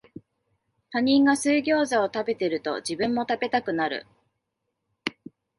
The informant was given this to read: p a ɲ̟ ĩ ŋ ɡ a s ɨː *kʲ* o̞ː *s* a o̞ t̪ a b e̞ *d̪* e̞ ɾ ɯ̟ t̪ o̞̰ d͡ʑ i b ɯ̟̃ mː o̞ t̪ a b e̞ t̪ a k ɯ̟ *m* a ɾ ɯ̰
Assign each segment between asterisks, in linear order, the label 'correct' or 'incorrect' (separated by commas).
incorrect, incorrect, incorrect, incorrect